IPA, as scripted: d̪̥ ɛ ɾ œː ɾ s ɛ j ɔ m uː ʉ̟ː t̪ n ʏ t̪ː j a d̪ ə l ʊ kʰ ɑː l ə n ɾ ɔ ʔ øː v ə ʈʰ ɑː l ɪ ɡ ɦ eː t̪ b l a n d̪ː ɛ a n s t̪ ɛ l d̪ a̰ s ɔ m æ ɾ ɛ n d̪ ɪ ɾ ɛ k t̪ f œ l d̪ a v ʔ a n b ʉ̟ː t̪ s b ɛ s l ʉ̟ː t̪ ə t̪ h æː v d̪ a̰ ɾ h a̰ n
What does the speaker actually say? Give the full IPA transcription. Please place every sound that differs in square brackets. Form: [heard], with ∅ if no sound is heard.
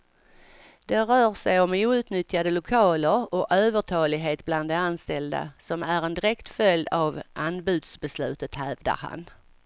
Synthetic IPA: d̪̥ ɛ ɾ œː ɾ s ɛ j ɔ m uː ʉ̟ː t̪ n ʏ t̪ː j a d̪ ə l ʊ kʰ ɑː l ə [∅] ɾ ɔ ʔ øː v ə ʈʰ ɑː l ɪ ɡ ɦ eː t̪ b l a n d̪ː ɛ a n s t̪ ɛ l d̪ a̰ s ɔ m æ ɾ ɛ n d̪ ɪ ɾ ɛ k t̪ f œ l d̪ a v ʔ a n b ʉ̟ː [d̪] s b ɛ s l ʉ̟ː t̪ ə t̪ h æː v d̪ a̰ ɾ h a̰ n